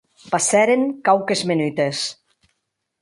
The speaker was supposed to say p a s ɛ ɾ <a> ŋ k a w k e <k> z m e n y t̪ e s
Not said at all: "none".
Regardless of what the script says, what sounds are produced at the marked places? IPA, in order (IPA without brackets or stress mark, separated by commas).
e, none